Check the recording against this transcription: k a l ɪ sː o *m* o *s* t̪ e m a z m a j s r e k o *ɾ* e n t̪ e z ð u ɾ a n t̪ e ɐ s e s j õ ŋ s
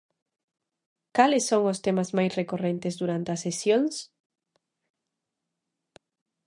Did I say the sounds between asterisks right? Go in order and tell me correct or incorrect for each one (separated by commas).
incorrect, correct, incorrect